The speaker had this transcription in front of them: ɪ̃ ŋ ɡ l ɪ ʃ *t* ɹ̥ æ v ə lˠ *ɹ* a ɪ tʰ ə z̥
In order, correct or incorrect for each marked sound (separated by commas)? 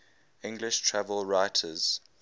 incorrect, correct